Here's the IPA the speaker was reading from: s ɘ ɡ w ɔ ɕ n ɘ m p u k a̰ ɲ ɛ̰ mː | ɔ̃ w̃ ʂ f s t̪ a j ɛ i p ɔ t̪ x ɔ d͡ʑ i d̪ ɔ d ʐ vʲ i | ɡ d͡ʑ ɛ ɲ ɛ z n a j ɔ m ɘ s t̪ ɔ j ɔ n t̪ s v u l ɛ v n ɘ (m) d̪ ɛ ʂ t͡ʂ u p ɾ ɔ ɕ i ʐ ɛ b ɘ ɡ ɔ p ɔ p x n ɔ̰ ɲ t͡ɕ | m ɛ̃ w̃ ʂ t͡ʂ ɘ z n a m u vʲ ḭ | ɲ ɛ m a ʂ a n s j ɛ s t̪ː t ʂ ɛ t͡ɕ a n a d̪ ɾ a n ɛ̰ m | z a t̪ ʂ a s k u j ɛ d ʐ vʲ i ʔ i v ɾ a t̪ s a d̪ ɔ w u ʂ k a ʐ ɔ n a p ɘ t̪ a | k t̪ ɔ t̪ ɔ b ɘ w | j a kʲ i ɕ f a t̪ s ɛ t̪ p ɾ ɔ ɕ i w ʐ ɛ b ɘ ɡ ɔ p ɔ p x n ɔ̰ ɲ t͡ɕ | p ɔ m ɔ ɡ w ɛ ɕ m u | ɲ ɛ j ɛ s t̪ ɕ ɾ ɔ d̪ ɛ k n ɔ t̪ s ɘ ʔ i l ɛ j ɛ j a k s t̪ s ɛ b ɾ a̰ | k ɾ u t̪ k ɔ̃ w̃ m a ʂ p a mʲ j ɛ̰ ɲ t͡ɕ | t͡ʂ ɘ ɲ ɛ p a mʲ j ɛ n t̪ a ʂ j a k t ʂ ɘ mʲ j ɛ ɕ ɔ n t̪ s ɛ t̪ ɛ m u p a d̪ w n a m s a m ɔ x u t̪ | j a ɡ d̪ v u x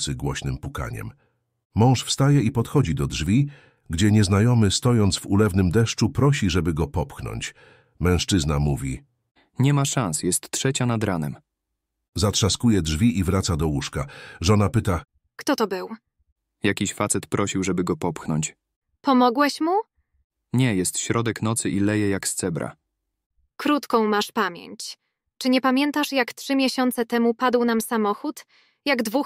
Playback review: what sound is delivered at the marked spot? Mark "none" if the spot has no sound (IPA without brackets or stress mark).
m